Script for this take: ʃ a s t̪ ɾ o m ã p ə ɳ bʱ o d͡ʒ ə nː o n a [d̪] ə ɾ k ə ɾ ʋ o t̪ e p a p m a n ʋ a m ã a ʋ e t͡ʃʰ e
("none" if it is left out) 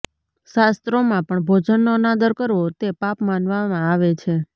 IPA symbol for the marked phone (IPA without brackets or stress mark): d̪